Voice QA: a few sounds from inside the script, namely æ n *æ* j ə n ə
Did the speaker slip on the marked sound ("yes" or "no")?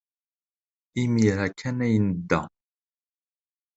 no